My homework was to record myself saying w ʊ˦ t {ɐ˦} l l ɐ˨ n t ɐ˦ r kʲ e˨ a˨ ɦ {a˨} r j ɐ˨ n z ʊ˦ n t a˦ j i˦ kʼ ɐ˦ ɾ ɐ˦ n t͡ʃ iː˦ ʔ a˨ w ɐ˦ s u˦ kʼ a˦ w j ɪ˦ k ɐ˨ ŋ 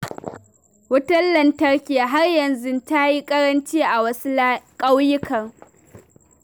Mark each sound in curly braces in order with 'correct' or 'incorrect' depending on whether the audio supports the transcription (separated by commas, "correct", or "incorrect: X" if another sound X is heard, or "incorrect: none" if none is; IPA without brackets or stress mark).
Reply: correct, incorrect: a˦